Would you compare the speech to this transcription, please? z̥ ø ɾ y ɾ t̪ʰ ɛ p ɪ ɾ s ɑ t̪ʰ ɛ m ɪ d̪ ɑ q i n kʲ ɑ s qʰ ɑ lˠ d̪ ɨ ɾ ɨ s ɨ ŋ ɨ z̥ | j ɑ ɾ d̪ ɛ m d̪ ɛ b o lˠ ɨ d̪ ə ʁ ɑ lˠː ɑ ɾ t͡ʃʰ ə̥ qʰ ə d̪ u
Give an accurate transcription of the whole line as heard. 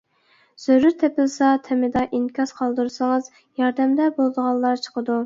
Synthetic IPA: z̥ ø ɾ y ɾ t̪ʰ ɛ p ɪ l s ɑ t̪ʰ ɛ m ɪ d̪ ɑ ʔ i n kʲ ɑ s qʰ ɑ lˠ d̪ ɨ ɾ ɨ s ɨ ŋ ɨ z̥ | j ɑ ɾ d̪ ɛ m d̪ ɛ b o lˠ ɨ d̪ ə ʁ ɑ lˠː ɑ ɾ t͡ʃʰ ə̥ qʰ ə d̪ u